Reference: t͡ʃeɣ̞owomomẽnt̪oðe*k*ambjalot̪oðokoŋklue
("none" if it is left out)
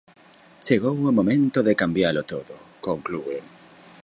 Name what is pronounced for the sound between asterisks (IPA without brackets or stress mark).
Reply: k